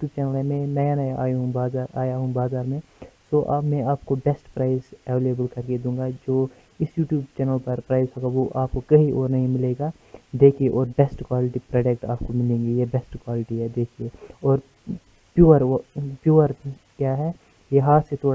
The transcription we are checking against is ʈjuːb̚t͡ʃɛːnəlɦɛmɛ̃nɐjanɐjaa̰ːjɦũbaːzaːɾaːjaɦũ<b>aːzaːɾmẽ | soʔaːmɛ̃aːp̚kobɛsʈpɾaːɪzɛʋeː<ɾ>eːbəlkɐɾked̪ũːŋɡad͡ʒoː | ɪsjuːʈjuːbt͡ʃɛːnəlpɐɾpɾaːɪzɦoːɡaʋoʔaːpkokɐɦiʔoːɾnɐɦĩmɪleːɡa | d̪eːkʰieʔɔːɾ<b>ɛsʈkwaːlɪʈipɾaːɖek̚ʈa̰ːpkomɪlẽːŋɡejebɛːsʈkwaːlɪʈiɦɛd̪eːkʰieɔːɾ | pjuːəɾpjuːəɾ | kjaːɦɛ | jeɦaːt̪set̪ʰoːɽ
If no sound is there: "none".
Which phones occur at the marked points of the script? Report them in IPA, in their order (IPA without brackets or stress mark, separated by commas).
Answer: b, l, b